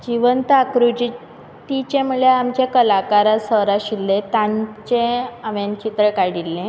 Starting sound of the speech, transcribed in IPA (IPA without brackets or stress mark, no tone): d͡ʑ